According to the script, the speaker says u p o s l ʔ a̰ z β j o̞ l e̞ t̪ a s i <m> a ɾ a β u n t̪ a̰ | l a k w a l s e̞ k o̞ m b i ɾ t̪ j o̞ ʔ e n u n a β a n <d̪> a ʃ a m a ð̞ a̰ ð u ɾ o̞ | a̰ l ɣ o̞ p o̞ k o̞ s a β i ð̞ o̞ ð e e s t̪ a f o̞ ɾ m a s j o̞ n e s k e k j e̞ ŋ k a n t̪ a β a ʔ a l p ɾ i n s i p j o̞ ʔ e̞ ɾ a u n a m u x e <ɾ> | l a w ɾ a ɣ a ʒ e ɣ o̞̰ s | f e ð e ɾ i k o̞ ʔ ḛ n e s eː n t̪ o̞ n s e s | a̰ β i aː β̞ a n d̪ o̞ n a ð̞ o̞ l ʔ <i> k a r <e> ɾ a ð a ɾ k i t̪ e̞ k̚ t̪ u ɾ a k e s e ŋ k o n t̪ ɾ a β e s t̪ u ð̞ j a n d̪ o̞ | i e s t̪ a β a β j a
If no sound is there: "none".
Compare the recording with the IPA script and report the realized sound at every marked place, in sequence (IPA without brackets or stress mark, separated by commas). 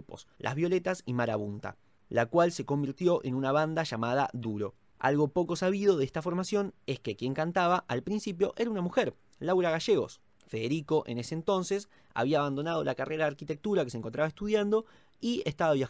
m, d̪, ɾ, a, e